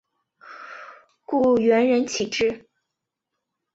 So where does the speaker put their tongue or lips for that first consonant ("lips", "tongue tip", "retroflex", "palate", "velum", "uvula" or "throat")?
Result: velum